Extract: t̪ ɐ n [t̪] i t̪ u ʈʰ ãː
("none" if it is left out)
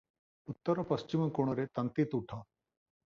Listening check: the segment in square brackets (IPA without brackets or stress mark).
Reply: t̪